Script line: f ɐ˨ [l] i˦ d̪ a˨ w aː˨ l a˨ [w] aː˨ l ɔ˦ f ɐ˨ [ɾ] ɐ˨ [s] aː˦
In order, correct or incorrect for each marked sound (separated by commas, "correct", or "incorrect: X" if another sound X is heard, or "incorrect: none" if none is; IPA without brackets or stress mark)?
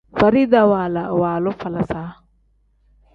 incorrect: ɾ, correct, incorrect: l, correct